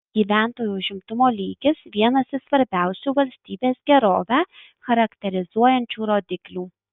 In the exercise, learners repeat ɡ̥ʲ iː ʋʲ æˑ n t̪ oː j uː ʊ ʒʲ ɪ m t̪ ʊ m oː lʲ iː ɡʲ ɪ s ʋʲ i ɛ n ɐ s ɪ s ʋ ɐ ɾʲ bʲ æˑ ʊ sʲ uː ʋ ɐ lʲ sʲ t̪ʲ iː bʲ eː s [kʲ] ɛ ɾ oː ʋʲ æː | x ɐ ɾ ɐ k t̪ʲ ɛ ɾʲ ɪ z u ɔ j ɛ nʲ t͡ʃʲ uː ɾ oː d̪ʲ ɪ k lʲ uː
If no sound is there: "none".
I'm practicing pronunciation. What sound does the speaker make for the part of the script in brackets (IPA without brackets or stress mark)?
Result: ɡʲ